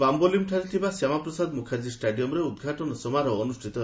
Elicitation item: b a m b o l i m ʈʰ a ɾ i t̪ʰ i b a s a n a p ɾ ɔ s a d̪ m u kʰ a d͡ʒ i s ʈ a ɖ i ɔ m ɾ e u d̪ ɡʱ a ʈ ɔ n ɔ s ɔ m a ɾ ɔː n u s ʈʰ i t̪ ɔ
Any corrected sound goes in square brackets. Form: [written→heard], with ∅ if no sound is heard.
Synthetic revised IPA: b a m b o l i m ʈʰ a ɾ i t̪ʰ i b a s a [n→m] a p ɾ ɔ s a d̪ m u kʰ a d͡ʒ i s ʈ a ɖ i ɔ m ɾ e u d̪ ɡʱ a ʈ ɔ n ɔ s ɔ m a ɾ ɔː n u s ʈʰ i t̪ ɔ